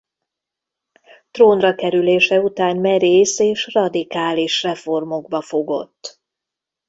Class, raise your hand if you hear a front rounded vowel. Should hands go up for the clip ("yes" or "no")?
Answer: yes